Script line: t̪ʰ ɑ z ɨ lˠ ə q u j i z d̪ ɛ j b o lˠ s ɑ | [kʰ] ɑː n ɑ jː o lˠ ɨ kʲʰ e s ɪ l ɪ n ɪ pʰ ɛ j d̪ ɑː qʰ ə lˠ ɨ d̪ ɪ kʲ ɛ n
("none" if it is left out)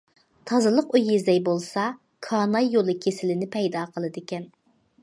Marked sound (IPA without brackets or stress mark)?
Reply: kʰ